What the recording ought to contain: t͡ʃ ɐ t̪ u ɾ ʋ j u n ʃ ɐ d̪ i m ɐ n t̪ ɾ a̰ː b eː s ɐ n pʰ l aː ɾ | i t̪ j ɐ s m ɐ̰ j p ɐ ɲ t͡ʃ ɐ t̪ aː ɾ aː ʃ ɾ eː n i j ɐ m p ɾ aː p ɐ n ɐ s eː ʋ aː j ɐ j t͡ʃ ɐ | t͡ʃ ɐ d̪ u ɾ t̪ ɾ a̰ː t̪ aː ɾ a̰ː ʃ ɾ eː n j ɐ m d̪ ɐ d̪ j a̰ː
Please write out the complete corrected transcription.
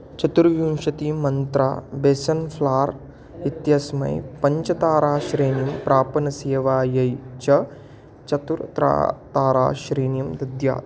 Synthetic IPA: t͡ʃ ɐ t̪ u ɾ ʋ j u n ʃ ɐ t̪ i m ɐ n t̪ ɾ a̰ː b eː s ɐ n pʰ l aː ɾ | i t̪ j ɐ s m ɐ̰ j p ɐ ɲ t͡ʃ ɐ t̪ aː ɾ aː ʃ ɾ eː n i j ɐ m p ɾ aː p ɐ n ɐ s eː ʋ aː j ɐ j t͡ʃ ɐ | t͡ʃ ɐ t̪ u ɾ t̪ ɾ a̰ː t̪ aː ɾ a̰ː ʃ ɾ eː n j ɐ m d̪ ɐ d̪ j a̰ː